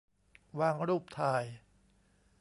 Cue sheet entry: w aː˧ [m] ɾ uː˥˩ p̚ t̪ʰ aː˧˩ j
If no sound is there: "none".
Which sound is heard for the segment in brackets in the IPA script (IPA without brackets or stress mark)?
ŋ